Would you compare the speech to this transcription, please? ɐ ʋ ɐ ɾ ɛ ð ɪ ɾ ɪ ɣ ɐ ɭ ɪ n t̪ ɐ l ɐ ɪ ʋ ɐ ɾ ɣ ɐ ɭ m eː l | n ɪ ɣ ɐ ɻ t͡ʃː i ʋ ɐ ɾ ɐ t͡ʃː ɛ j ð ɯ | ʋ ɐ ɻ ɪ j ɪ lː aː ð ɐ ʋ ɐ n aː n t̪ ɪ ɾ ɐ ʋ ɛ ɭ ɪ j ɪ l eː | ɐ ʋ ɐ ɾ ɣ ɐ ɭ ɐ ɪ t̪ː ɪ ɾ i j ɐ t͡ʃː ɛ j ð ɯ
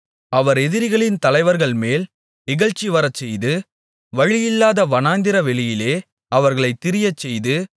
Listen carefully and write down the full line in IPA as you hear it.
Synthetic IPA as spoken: ɐ ʋ ɐ ɾ ɛ ð ɪ ɾ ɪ ɣ ɐ ɭ ɪ n t̪ ɐ l ɐ ɪ ʋ ɐ ɾ ɣ ɐ ɭ m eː l | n ɪ ɣ ɐ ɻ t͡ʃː i ʋ ɐ ɾ ɐ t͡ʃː ɛ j ð ɯ | ʋ ɐ ɻ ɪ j ɪ lː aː ð ɐ ʋ ɐ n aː n d̪ ɪ ɾ ɐ ʋ ɛ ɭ ɪ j ɪ l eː | ɐ ʋ ɐ ɾ ɣ ɐ ɭ ɐ ɪ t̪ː ɪ ɾ ɪ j ɐ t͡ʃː ɛ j ð ɯ

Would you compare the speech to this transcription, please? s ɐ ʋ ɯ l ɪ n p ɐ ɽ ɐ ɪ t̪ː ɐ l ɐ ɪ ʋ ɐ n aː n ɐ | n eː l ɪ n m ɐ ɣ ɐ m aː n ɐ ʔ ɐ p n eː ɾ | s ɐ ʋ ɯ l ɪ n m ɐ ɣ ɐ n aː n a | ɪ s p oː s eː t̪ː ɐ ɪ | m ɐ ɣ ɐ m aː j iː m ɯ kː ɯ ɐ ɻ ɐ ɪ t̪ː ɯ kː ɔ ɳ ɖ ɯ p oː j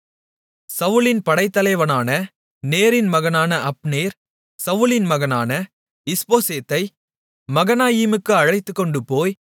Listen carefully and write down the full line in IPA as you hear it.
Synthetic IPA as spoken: s ɐ ʋ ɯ l ɪ n p ɐ ɽ ɐ ɪ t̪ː ɐ l ɐ ɪ ʋ ɐ n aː n ɐ | n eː ɾ ɪ n m ɐ ɣ ɐ n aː n ɐ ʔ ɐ p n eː ɾ | s ɐ ʋ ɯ l ɪ n m ɐ ɣ ɐ n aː n ɐ | ɪ s p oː s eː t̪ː ɐ ɪ | m ɐ ɣ ɐ n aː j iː m ɯ kː ɯ ɐ ɻ ɐ ɪ t̪ː ɯ kː ɔ ɳ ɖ ɯ p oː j

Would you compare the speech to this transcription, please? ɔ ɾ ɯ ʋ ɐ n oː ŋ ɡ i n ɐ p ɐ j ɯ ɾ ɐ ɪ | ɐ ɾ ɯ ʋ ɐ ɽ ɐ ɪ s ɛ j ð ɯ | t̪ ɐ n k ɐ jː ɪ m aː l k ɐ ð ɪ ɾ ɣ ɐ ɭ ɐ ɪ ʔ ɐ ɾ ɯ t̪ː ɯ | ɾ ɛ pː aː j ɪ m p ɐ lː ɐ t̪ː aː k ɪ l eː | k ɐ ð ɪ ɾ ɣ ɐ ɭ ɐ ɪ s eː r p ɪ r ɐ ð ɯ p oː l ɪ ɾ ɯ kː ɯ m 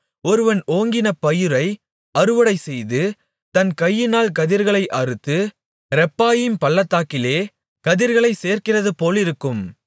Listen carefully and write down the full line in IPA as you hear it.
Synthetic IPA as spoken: ɔ ɾ ɯ ʋ ɐ n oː ŋ ɡ ɪ n ɐ p ɐ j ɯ ɾ ɐ ɪ | ɐ ɾ ɯ ʋ ɐ ɽ ɐ ɪ s ɛ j ð ɯ | t̪ ɐ n k ɐ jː ɪ n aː l k ɐ ð ɪ ɾ ɣ ɐ ɭ ɐ ɪ ʔ ɐ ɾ ɯ t̪ː ɯ | ɾ ɛ pː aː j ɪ m p ɐ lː ɐ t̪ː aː k ɪ l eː | k ɐ ð ɪ ɾ ɣ ɐ ɭ ɐ ɪ s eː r k ɪ r ɐ ð ɯ p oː l ɪ ɾ ɯ kː ɯ m

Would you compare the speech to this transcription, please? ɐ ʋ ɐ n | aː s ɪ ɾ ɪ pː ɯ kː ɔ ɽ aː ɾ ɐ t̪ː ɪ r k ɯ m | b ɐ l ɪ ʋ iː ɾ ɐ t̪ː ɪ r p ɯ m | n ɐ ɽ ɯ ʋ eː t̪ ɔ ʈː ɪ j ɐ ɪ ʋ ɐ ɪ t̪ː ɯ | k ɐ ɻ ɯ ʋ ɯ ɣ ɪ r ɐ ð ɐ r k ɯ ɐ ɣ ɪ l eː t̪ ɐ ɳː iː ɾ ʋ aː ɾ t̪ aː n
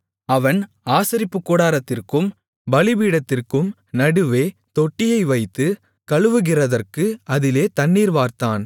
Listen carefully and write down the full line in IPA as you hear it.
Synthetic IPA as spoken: ɐ ʋ ɐ n | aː s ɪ ɾ ɪ pː ɯ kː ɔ ɽ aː ɾ ɐ t̪ː ɪ r k ɯ m | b ɐ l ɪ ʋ iː ɽ ɐ t̪ː ɪ r k ɯ m | n ɐ ɽ ɯ ʋ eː t̪ ɔ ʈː ɪ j ɐ ɪ ʋ ɐ ɪ t̪ː ɯ | k ɐ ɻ ɯ ʋ ɯ ɣ ɪ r ɐ ð ɐ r k ɯ ɐ ð ɪ l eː t̪ ɐ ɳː iː ɾ ʋ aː ɾ t̪ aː n

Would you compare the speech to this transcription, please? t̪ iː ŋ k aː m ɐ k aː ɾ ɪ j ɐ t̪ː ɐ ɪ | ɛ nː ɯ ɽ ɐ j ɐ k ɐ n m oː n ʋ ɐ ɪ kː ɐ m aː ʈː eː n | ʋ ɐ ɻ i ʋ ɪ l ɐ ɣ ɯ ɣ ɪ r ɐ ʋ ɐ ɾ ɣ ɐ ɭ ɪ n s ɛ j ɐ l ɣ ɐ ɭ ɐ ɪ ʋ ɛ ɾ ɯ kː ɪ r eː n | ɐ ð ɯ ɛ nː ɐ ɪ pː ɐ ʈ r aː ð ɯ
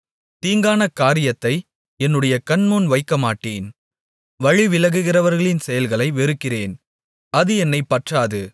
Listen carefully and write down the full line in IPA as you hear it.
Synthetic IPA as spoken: t̪ iː ŋ ɡ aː n ɐ k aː ɾ ɪ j ɐ t̪ː ɐ ɪ | ɛ nː ɯ ɽ ɐ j ɐ k ɐ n m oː n ʋ ɐ ɪ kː ɐ m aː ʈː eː n | ʋ ɐ ɻ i ʋ ɪ l ɐ ɣ ɯ ɣ ɪ r ɐ ʋ ɐ ɾ ɣ ɐ ɭ ɪ n s ɛ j ɐ l ɣ ɐ ɭ ɐ ɪ ʋ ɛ ɾ ɯ kː ɪ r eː n | ɐ ð ɯ ɛ nː ɐ ɪ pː ɐ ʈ r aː ð ɯ

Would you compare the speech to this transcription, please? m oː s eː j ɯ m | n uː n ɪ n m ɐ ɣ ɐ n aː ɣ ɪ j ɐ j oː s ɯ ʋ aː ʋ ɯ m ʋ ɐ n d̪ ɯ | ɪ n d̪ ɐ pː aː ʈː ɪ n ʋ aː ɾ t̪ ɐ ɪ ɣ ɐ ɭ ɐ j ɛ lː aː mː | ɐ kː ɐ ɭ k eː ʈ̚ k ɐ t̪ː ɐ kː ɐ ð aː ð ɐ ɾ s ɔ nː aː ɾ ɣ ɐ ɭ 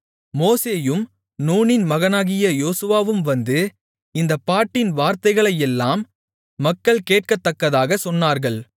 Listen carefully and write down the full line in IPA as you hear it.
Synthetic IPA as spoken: m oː s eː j ɯ m | n uː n ɪ n m ɐ ɣ ɐ n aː ɣ ɪ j ɐ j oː s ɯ ʋ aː ʋ ɯ m ʋ ɐ n d̪ ɯ | ɪ n d̪ ɐ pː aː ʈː ɪ n ʋ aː ɾ t̪ ɐ ɪ ɣ ɐ ɭ ɐ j ɛ lː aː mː | ɐ kː ɐ ɭ k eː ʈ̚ k ɐ t̪ː ɐ kː ɐ ð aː ɣ ɐ s ɔ nː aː ɾ ɣ ɐ ɭ

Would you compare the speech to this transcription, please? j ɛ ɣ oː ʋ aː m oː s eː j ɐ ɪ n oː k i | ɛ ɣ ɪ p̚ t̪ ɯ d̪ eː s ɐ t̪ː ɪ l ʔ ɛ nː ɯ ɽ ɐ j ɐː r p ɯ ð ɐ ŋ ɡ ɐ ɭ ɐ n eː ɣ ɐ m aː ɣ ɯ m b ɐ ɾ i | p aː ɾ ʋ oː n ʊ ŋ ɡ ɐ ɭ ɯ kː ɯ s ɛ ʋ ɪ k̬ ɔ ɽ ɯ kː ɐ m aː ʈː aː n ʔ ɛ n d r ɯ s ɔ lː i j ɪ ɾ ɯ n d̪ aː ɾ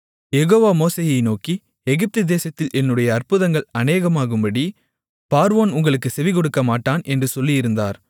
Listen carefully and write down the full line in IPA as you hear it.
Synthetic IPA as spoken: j ɛ ɣ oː ʋ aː m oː s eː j ɐ ɪ n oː k i | ɛ ɣ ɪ p̚ t̪ ɯ d̪ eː s ɐ t̪ː ɪ l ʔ ɛ nː ɯ ɽ ɐ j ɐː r p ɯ ð ɐ ŋ ɡ ɐ ɭ ɐ n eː ɣ ɐ m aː ɣ ɯ m b ɐ ɽ i | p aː ɾ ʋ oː n ʊ ŋ ɡ ɐ ɭ ɯ kː ɯ s ɛ ʋ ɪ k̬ ɔ ɽ ɯ kː ɐ m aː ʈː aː n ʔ ɛ n d r ɯ s ɔ lː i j ɪ ɾ ɯ n d̪ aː ɾ

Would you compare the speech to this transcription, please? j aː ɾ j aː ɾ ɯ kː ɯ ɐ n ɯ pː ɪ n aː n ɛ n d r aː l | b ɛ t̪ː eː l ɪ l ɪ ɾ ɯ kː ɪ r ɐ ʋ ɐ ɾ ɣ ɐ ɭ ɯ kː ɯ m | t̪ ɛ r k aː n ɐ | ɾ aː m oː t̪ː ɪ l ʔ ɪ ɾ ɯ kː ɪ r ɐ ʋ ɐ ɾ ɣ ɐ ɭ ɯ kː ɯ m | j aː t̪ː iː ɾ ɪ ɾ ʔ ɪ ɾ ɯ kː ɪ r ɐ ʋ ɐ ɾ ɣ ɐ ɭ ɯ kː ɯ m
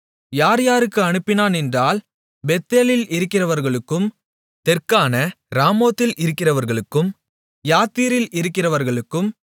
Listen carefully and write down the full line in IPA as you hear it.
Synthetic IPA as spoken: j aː ɾ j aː ɾ ɯ kː ɯ ɐ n ɯ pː ɪ n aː n ɛ n d r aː l | b ɛ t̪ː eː l ɪ l ɪ ɾ ɯ kː ɪ r ɐ ʋ ɐ ɾ ɣ ɐ ɭ ɯ kː ɯ m | t̪ ɛ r k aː n ɐ | ɾ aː m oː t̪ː ɪ l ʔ ɪ ɾ ɯ kː ɪ r ɐ ʋ ɐ ɾ ɣ ɐ ɭ ɯ kː ɯ m | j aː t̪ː iː ɾ ɪ l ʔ ɪ ɾ ɯ kː ɪ r ɐ ʋ ɐ ɾ ɣ ɐ ɭ ɯ kː ɯ m

